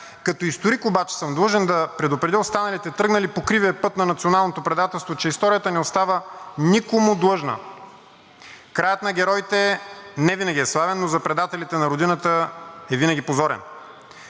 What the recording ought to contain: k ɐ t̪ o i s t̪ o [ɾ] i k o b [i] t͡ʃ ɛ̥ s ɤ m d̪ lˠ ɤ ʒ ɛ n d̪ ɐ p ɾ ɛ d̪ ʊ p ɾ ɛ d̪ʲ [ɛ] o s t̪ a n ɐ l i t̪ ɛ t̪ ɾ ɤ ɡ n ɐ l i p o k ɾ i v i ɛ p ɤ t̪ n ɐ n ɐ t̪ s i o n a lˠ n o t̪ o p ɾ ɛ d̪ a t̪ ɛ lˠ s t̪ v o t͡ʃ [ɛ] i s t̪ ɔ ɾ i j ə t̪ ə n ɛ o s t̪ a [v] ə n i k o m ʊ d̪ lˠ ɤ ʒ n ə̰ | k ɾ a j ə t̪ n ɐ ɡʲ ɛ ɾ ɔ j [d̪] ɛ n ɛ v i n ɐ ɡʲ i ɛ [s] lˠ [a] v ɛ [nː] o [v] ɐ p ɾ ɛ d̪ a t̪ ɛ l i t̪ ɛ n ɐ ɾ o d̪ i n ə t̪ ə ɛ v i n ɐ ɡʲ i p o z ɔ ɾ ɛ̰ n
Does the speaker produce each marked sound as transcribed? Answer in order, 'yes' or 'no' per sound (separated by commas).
yes, no, no, yes, yes, no, yes, yes, yes, no